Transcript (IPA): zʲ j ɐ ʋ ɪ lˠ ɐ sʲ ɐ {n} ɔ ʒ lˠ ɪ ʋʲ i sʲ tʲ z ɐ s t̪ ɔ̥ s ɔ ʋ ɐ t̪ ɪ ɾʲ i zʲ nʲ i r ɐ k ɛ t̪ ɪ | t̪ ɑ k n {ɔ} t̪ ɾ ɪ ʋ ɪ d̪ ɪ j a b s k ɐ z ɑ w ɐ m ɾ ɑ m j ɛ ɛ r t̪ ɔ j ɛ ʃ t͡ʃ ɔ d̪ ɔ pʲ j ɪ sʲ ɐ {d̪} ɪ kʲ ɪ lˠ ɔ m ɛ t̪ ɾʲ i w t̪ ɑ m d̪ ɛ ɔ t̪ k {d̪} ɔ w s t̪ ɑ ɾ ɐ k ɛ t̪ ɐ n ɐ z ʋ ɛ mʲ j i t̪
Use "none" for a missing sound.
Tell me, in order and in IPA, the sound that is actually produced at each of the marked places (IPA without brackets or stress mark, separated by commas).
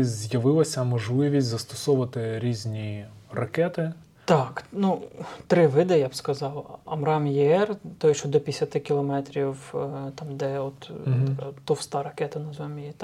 m, u, t̪, t̪